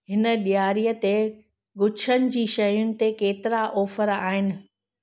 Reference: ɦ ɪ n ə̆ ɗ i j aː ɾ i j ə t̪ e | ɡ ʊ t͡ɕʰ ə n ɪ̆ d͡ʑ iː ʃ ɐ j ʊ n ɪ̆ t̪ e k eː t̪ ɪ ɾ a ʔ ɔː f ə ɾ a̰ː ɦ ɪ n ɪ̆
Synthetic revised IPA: ɦ ɪ n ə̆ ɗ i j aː ɾ i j ə t̪ e | ɡ ʊ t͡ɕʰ ə n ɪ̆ d͡ʑ iː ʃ ɐ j ʊ n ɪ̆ t̪ e k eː t̪ ɪ ɾ a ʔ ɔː f ə ɾ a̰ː ɦ ɪ n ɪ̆